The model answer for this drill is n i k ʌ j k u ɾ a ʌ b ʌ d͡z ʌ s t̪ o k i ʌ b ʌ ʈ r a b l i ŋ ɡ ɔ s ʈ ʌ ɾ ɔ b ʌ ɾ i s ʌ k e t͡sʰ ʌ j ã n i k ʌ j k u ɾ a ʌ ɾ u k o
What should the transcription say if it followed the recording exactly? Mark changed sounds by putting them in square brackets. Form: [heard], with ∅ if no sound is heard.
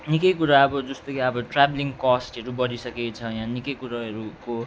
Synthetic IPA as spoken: n i k ʌ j k u ɾ a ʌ b ʌ d͡z ʌ s t̪ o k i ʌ b ʌ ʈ r a b l i ŋ [k] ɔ s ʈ ʌ ɾ [u] b ʌ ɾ i s ʌ k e t͡sʰ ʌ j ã n i k ʌ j k u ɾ a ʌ ɾ u k o